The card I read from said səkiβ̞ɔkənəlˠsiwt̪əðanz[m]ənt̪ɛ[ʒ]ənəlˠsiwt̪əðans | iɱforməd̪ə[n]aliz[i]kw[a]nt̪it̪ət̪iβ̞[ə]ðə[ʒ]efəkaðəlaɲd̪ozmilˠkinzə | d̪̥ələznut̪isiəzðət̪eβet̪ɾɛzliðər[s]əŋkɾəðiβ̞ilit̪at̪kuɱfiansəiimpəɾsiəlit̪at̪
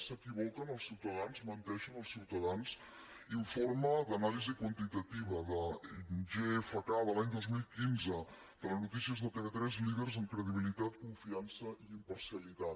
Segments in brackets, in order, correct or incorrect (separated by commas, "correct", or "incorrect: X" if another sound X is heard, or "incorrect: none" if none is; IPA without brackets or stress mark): correct, incorrect: ʃ, correct, correct, incorrect: ə, correct, correct, incorrect: z